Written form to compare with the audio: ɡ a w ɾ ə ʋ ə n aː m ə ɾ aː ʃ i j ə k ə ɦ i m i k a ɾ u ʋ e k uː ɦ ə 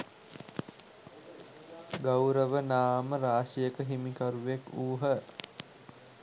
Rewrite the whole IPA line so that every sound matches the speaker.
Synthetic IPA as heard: ɡ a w ɾ ə ʋ ə n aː m ə ɾ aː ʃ i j ə k ə ɦ i m i k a ɾ u ʋ e k uː ɦ ə